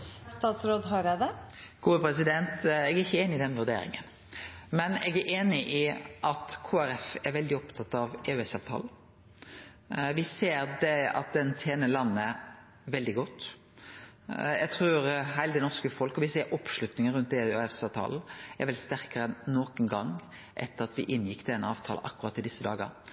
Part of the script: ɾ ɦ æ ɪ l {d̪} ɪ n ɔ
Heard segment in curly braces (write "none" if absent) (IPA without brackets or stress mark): d̪